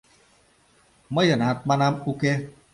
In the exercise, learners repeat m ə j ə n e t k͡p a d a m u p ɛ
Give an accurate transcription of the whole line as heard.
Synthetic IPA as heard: m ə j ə n a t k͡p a n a m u k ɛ